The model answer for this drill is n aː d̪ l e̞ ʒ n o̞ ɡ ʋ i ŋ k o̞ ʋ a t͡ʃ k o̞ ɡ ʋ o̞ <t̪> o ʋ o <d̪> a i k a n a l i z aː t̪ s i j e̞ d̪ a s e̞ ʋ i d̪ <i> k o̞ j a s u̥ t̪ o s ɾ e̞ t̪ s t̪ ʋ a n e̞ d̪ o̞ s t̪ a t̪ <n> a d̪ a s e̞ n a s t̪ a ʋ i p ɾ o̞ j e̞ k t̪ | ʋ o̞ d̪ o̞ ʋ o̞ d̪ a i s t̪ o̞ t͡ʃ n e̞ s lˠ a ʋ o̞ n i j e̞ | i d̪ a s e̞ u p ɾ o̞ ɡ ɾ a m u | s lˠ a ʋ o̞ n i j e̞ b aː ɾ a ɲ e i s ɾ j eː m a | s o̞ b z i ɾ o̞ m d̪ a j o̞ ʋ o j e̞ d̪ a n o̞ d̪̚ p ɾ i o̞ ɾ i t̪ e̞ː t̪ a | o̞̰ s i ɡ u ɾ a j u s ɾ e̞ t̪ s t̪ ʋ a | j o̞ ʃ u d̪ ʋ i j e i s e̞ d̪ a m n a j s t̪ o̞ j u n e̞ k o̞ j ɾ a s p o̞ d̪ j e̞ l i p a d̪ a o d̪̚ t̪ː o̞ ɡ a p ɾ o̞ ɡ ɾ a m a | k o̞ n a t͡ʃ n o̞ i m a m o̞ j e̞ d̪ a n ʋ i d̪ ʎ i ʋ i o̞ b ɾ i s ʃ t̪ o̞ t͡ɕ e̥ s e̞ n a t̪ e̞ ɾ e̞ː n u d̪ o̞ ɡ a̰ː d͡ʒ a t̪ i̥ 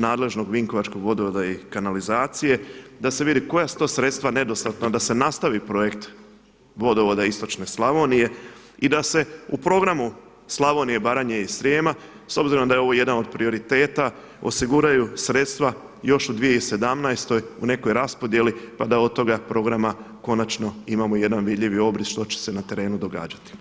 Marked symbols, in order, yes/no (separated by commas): no, yes, yes, yes